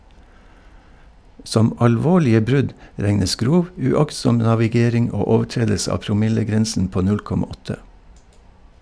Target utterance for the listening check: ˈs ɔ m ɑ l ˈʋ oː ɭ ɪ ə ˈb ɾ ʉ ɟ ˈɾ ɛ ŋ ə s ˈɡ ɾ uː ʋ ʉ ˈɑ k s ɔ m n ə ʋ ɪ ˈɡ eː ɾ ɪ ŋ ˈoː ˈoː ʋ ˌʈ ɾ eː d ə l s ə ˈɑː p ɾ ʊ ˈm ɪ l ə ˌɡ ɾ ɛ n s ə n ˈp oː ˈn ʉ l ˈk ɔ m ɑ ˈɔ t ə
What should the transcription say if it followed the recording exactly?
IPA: ˈs ɔ m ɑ l ˈʋ oː ɭ ɪ ə ˈb ɾ ʉ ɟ ˈɾ ɛ ŋ ə s ˈɡ ɾ uː ʋ ʉ ˈɑ k s ɔ m n ɑ ʋ ɪ ˈɡ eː ɾ ɪ ŋ ˈoː ˈoː ʋ ˌʈ ɾ eː d ə l s ə ˈɑː p ɾ ʊ ˈm ɪ l ə ˌɡ ɾ ɛ n s ə n ˈp oː ˈn ʉ l ˈk ɔ m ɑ ˈɔ t ə

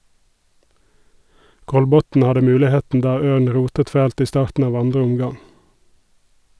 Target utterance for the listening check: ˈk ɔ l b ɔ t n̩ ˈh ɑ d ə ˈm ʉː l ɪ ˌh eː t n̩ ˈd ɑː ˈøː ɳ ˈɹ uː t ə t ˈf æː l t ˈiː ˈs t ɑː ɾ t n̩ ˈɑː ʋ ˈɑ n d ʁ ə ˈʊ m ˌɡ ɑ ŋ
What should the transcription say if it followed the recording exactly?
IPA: ˈk ɔ l b ɔ t n̩ ˈh ɑ d ə ˈm ʉː l ɪ ˌh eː t n̩ ˈd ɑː ˈøː ɳ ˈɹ uː t ə t ˈf æː l t ˈiː ˈs t ɑː ɾ t n̩ ˈɑː ʋ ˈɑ n d ʁ ə ˈʊ m ˌɡ ɑ ŋ

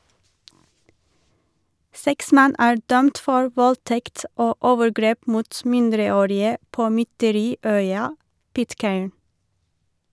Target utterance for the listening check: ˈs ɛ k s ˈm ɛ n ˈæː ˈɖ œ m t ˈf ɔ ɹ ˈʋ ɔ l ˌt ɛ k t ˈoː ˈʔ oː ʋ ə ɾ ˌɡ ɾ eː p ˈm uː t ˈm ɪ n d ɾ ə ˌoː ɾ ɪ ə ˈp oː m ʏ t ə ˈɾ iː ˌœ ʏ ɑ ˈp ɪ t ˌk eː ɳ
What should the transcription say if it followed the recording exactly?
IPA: ˈs ɛ k s ˈm ɛ n ˈæː ˈɖ œ m t ˈf ɔ ɹ ˈʋ ɔ l ˌt ɛ k t ˈoː ˈʔ oː ʋ ə ɾ ˌɡ ɾ eː p ˈm uː t ˈm ɪ n d ɾ ə ˌoː ɾ ɪ ə ˈp oː m ʏ t ə ˈɾ iː ˌœ ʏ ɑ ˈp ɪ t ˌk eː ɳ

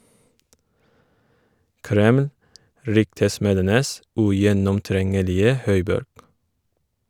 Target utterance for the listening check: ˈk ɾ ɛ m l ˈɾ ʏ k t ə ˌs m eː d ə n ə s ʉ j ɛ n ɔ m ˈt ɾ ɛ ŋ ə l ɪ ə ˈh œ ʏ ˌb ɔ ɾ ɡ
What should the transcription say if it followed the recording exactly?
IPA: ˈk ɾ ɛ m l ˈɾ ʏ k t ə ˌs m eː d ə n ə s ʉ j ɛ n ɔ m ˈt ɾ ɛ ŋ ə l ɪ ə ˈh œ ʏ ˌb ɔ ɾ ɡ

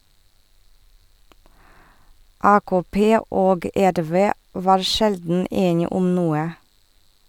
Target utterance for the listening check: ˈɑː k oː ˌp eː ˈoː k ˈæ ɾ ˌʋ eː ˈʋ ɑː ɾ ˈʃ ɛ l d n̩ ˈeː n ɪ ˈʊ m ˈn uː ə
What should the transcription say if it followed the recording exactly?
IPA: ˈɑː k oː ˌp eː ˈoː ɡ ˈæ ɾ ˌʋ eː ˈʋ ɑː ɾ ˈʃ ɛ l d n̩ ˈeː n ɪ ˈʊ m ˈn uː ə

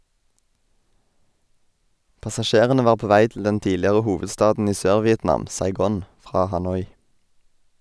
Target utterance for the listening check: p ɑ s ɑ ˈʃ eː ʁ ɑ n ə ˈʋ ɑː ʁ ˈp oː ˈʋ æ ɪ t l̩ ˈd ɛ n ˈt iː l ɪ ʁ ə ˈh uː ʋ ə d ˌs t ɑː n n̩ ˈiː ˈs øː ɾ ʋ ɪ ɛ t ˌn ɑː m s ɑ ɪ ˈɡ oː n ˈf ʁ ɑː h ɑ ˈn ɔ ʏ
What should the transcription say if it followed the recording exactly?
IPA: p ɑ s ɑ ˈʃ eː ʁ ə n ə ˈʋ ɑː ʁ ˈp oː ˈʋ æ ɪ t l̩ ˈd ɛ n ˈt iː l ɪ ʁ ə ˈh uː ʋ ə d ˌs t ɑː d n̩ ˈiː ˈs øː ɾ ʋ ɪ ɛ t ˌn ɑː m s ɑ ɪ ˈɡ oː n ˈf ʁ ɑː h ɑ ˈn ɔ ʏ

